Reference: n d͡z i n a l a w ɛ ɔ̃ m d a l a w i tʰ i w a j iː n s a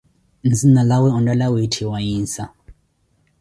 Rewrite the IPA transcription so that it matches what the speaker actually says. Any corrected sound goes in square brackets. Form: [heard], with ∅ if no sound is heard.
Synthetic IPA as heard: n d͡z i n a l a w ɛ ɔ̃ [n] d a l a w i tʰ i w a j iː n s a